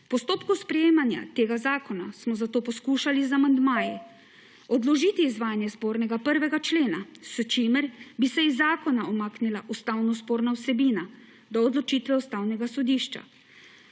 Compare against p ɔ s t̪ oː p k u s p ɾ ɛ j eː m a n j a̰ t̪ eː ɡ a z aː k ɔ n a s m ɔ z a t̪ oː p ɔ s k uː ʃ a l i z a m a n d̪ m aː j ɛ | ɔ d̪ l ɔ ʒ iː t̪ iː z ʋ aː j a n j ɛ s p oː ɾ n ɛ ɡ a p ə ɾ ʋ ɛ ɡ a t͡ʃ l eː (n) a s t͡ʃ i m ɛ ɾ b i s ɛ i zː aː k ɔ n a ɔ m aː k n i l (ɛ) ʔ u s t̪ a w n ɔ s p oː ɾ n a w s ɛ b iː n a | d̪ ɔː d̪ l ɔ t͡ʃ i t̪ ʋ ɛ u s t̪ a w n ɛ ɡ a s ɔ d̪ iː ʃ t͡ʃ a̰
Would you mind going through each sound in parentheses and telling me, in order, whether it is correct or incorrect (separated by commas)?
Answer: correct, incorrect